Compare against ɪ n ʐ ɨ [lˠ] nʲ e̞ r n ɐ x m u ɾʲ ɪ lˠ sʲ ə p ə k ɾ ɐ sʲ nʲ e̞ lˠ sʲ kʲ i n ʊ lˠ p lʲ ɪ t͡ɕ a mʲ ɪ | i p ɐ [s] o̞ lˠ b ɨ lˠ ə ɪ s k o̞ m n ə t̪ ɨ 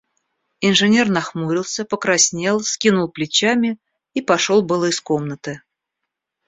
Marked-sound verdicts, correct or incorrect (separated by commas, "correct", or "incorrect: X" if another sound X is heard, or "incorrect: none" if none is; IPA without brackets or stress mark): incorrect: none, incorrect: ʂ